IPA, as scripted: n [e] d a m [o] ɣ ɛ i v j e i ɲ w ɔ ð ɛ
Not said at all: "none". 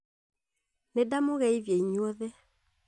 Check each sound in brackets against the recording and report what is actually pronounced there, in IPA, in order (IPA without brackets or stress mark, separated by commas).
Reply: e, o